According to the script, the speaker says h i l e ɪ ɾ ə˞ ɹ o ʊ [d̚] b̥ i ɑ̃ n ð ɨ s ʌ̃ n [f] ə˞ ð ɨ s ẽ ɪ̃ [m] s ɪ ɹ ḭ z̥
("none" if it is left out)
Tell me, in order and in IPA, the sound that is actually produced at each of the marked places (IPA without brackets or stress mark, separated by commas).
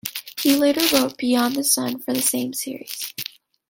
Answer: t̚, f, m